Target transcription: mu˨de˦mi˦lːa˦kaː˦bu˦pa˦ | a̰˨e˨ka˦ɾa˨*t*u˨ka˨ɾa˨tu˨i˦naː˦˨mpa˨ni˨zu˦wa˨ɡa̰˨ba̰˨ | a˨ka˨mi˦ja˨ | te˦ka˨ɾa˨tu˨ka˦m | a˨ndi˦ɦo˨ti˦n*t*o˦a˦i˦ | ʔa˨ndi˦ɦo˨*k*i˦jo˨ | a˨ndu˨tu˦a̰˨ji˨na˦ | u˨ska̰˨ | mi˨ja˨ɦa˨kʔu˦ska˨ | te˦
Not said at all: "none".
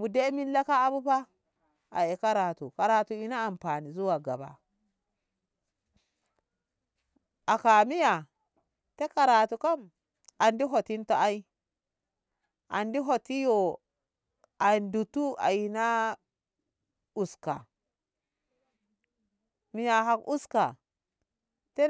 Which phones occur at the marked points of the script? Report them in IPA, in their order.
t, t, t

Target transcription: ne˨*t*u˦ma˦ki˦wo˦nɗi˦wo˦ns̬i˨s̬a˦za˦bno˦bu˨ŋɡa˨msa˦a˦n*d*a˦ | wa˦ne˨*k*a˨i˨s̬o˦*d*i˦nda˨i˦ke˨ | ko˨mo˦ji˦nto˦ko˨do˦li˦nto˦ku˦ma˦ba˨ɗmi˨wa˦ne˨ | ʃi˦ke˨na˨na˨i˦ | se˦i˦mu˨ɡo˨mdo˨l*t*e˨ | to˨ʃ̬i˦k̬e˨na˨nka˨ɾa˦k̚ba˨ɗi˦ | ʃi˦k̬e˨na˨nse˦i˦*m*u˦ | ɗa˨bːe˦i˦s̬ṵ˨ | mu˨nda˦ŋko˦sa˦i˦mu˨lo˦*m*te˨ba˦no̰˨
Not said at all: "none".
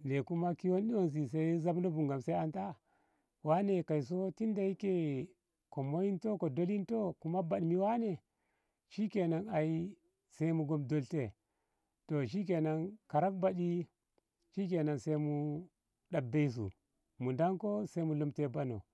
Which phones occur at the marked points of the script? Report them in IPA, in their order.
k, t, k, t, t, m, m

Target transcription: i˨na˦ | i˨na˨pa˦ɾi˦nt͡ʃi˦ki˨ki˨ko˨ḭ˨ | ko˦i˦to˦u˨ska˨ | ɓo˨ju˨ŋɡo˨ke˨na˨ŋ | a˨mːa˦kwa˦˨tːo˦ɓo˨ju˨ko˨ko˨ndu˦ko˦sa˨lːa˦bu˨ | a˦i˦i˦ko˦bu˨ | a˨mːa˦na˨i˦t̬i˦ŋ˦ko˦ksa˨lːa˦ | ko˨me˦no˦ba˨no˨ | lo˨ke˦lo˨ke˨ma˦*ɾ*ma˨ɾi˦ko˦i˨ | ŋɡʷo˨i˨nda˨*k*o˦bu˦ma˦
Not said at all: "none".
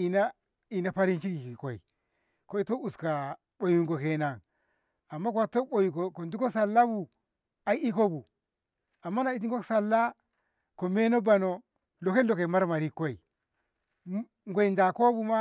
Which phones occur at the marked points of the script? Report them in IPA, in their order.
ɾ, k

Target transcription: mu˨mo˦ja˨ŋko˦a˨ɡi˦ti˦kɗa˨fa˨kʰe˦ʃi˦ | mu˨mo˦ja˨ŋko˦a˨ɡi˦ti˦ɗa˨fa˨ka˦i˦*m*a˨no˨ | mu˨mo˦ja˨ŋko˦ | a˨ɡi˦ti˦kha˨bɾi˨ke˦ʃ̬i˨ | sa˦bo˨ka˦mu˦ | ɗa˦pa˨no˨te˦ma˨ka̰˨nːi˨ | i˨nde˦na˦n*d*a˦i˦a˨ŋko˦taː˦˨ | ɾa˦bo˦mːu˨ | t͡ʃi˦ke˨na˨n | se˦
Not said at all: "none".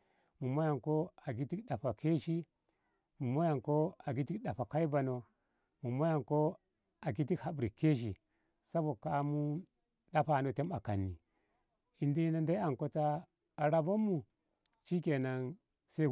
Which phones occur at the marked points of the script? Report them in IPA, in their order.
b, d

